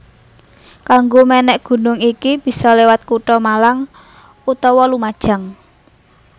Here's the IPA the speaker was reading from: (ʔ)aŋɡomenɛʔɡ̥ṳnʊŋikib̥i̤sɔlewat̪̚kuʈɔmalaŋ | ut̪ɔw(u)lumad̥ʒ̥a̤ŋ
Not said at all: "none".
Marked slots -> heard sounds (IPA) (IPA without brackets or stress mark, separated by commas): k, ɔ